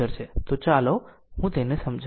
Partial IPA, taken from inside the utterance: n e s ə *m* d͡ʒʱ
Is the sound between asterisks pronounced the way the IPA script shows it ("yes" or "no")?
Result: yes